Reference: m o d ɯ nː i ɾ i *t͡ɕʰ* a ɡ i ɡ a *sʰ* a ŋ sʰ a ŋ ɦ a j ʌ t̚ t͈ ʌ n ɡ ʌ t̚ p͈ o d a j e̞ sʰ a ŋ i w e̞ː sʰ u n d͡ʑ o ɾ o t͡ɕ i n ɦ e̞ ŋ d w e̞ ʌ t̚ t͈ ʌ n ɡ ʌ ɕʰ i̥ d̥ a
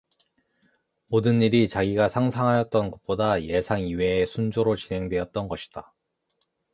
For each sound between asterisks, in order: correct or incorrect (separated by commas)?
incorrect, correct